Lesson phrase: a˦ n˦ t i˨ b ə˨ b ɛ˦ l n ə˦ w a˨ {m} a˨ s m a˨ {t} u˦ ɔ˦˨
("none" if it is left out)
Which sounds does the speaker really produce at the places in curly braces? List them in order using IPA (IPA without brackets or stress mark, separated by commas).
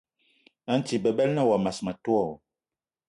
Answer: m, t